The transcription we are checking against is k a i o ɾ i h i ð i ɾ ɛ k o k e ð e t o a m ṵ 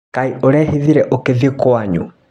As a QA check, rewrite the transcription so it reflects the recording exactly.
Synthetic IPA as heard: k a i o ɾ ɛ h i ð i ɾ ɛ ʔ o k e ð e k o a ɲ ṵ